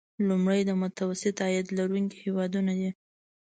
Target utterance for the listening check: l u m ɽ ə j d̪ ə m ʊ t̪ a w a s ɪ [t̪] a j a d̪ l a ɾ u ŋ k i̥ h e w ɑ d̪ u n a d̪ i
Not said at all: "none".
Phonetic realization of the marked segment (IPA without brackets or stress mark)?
t̪